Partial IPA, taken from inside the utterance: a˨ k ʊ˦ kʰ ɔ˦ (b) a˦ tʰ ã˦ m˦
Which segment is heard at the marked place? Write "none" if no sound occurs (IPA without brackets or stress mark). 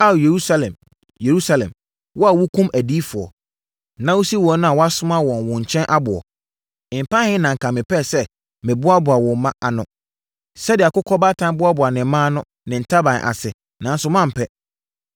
b